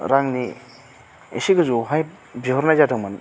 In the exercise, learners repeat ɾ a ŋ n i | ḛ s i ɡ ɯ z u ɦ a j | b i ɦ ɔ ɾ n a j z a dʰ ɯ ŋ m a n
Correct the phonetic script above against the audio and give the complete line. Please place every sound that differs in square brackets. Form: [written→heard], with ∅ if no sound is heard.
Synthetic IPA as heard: ɾ a ŋ n i | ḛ s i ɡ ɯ z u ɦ a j | b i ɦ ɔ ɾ n a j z a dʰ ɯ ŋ m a n